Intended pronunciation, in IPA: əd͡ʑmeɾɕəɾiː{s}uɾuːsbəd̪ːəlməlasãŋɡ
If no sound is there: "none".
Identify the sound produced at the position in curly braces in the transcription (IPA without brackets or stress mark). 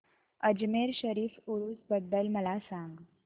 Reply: f